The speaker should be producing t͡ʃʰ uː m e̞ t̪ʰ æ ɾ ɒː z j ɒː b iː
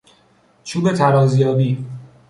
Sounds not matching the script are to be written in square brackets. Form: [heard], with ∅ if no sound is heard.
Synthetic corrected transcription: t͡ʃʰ uː [b] e̞ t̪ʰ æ ɾ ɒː z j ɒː b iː